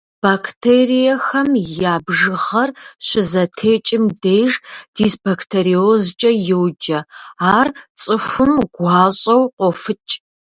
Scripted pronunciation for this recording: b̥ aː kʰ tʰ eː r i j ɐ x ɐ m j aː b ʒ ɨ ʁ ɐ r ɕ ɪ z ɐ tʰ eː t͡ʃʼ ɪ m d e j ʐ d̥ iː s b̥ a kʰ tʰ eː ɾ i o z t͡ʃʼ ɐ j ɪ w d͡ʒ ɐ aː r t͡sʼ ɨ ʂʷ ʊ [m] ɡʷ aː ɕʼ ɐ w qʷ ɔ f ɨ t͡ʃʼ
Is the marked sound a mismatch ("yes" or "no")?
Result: no